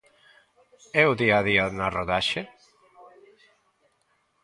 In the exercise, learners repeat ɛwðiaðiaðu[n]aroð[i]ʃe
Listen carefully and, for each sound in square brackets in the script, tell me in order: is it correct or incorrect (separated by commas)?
correct, incorrect